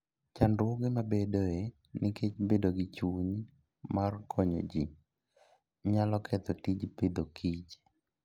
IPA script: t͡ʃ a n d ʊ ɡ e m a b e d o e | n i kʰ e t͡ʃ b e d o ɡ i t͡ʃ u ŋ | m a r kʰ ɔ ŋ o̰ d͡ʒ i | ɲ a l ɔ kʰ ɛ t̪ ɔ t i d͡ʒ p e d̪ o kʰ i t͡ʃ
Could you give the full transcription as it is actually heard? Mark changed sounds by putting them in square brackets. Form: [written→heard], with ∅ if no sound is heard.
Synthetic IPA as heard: t͡ʃ a n d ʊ ɡ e m a b e d o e | n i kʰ e t͡ʃ b e d o ɡ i t͡ʃ u [ŋ→ɲ] | m a r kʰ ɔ [ŋ→ɲ] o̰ d͡ʒ i | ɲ a l ɔ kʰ ɛ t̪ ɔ t i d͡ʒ p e d̪ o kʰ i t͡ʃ

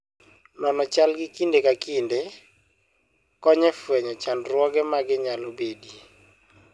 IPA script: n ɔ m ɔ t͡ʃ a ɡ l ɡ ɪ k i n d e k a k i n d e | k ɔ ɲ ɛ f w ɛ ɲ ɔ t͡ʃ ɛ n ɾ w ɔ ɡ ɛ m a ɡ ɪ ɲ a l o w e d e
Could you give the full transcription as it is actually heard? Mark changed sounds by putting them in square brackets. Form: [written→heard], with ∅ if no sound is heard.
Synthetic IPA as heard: n ɔ [m→n] ɔ t͡ʃ a [ɡ→∅] l ɡ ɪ k i n d e k a k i n d e | k ɔ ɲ ɛ f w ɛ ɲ ɔ t͡ʃ [ɛ→a] n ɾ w ɔ ɡ ɛ m a ɡ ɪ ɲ a l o [w→b] e d [e→i]

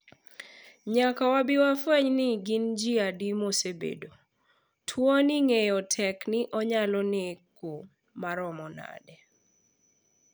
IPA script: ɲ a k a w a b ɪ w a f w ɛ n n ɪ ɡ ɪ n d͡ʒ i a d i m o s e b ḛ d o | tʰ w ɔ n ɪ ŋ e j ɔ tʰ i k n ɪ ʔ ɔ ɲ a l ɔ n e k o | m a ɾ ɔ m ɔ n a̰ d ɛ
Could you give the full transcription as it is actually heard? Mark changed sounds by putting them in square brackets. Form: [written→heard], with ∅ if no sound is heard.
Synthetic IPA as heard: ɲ a k a w a b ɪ w a f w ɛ [n→ɲ] n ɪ ɡ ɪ n d͡ʒ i a d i m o s e b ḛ d o | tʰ w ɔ n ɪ ŋ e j ɔ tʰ [i→ɛ] k n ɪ ʔ ɔ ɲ a l ɔ n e k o | m a ɾ ɔ m ɔ n a̰ d ɛ

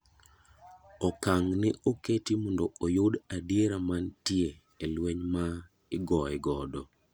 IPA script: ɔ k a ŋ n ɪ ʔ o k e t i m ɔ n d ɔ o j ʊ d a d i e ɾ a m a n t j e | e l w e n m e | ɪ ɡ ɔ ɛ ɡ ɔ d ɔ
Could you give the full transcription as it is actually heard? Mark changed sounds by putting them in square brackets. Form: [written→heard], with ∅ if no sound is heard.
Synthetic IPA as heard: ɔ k a ŋ n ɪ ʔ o k e t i m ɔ n d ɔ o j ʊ d a d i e ɾ a m a n t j e | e l w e [n→ɲ] m [e→a] | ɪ ɡ ɔ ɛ ɡ ɔ d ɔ

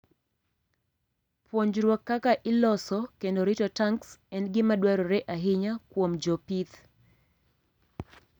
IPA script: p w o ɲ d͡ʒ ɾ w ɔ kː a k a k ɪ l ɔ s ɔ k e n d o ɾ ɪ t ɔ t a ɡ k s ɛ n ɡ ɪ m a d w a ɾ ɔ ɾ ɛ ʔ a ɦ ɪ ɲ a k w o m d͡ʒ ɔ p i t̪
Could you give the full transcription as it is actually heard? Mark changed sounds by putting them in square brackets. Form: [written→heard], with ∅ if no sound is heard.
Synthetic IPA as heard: p w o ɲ d͡ʒ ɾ w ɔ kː a k a [k→ʔ] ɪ l ɔ s ɔ k e n d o ɾ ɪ t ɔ t a [ɡ→ŋ] k s ɛ n ɡ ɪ m a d w a ɾ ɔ ɾ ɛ ʔ a ɦ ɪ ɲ a k w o m d͡ʒ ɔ p i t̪

